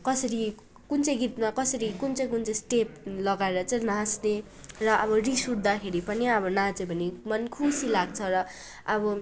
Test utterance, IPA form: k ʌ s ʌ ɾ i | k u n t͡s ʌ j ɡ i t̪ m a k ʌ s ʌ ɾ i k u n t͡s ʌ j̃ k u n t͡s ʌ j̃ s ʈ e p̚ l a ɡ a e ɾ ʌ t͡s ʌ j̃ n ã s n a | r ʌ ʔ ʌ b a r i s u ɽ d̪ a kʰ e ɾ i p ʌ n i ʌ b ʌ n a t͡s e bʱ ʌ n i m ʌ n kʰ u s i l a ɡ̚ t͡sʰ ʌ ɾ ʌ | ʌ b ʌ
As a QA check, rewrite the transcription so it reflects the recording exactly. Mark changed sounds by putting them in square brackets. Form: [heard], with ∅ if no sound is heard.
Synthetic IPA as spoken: k ʌ s ʌ ɾ i | k u n t͡s ʌ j ɡ i t̪ m a k ʌ s ʌ ɾ i k u n t͡s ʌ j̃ k u n t͡s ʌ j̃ s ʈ e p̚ l [ʌ] ɡ a e ɾ ʌ t͡s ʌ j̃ n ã s n [e] | r ʌ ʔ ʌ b [ʌ] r i s u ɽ d̪ a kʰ e ɾ i p ʌ n i ʌ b ʌ n a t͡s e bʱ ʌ n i m ʌ n kʰ u s i l a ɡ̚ t͡sʰ ʌ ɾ ʌ | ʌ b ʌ